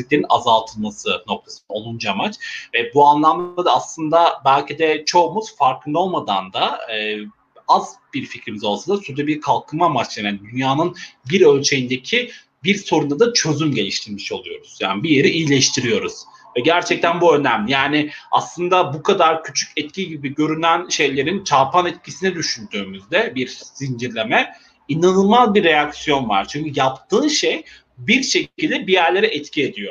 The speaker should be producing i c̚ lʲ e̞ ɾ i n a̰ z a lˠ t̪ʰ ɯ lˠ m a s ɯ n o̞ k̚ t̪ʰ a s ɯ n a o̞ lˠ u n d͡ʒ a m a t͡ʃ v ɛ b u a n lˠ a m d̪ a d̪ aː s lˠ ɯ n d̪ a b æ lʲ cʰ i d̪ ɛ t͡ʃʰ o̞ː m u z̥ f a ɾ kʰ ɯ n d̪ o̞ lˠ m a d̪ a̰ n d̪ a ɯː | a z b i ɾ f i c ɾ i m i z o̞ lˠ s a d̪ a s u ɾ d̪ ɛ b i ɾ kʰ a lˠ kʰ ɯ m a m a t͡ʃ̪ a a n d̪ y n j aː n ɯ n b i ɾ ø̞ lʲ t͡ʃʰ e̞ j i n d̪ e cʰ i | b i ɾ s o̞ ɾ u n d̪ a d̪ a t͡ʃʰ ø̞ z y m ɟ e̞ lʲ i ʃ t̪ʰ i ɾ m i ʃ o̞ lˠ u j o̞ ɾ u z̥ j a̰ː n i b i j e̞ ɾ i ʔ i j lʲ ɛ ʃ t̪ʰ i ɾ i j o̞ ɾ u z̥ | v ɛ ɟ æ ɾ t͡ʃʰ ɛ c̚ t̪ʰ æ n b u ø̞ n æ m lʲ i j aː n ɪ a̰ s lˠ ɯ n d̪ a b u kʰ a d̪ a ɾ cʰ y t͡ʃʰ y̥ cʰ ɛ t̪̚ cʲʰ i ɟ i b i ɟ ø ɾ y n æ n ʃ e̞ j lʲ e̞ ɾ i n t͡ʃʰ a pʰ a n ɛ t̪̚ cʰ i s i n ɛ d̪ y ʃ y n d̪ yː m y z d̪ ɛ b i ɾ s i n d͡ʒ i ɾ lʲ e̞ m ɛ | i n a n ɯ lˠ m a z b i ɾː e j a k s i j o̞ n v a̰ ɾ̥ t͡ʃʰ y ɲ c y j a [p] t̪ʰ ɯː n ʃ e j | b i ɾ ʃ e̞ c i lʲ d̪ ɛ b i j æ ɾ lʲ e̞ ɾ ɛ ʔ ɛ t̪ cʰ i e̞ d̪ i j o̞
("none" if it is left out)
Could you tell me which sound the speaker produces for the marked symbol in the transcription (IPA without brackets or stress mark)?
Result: p